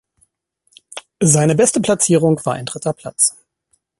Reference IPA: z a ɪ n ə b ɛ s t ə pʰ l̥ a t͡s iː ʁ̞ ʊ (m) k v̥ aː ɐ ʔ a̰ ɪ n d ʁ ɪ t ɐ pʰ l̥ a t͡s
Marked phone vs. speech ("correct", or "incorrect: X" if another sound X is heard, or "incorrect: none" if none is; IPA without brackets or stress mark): incorrect: ŋ